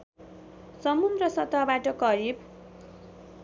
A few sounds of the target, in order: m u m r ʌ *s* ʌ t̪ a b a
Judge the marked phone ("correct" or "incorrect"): correct